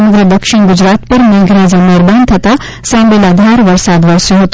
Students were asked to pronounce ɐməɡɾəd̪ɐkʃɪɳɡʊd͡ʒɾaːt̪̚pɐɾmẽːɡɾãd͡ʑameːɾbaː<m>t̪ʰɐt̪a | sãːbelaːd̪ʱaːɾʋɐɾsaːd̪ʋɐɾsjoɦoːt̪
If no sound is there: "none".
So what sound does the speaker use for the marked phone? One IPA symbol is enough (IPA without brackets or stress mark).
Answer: n